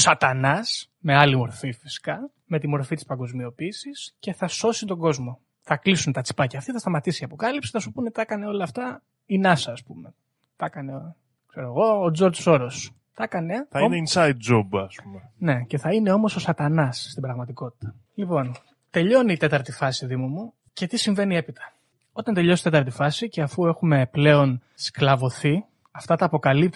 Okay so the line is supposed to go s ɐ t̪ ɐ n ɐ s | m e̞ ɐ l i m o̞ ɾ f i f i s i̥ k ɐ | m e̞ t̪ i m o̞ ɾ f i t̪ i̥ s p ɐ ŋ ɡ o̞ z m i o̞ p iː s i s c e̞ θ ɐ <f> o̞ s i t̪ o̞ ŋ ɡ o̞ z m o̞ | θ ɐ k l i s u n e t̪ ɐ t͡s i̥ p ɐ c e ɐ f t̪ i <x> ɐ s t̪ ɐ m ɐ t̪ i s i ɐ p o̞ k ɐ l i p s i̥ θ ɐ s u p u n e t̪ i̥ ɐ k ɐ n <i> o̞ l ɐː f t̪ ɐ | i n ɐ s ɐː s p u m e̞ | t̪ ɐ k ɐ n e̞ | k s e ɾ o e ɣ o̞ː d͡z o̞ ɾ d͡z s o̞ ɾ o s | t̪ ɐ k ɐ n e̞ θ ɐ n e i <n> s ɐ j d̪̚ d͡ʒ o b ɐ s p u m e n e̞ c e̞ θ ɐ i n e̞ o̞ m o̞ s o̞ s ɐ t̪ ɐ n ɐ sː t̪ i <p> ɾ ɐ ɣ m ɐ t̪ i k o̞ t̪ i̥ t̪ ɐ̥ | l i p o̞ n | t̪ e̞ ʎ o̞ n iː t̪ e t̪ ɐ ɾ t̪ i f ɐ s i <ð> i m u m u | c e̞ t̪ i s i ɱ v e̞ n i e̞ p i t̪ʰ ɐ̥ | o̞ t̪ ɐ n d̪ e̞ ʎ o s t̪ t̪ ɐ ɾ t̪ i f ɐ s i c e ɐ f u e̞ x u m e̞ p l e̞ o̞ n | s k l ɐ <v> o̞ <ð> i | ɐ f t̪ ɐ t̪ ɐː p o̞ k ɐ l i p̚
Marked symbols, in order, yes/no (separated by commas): no, no, no, yes, no, yes, yes, no